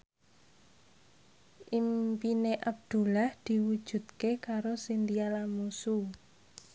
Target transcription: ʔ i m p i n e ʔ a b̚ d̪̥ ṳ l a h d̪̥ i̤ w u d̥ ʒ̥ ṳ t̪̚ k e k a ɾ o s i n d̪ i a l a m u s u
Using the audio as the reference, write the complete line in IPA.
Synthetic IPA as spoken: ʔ i m p i n e ʔ a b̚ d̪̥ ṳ l a h d̪̥ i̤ w u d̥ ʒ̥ ṳ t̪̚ k e k a ɾ o s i n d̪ i a l a m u s u